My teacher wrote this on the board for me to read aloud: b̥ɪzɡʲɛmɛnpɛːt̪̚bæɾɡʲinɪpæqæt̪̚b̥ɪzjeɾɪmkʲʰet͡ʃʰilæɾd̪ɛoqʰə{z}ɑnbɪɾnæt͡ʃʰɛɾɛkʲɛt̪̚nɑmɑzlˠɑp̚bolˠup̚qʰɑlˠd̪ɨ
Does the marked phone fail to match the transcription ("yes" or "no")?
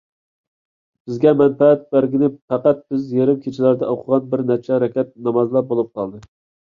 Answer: yes